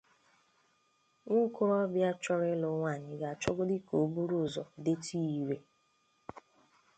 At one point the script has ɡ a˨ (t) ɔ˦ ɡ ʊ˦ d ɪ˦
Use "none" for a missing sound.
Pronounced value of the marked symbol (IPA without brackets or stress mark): t͡ʃ